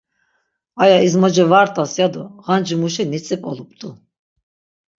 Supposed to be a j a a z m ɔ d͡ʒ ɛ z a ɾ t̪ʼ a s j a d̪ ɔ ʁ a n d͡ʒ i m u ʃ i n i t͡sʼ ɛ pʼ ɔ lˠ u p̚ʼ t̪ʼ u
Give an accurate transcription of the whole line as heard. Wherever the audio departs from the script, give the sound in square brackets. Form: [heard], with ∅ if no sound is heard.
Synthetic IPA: a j a [i] z m ɔ d͡ʒ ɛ [v] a ɾ t̪ʼ a s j a d̪ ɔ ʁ a n d͡ʒ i m u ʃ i n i t͡sʼ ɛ pʼ ɔ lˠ u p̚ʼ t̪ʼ u